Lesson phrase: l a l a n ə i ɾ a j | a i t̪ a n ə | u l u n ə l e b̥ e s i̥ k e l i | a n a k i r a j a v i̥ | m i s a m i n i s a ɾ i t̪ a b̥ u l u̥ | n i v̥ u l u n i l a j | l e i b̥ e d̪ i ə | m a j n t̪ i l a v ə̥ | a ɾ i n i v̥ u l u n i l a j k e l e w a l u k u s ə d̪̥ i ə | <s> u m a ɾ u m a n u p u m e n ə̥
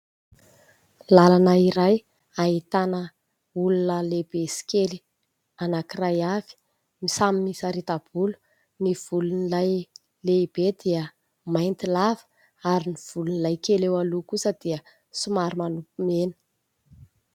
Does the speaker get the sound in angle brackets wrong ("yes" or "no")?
no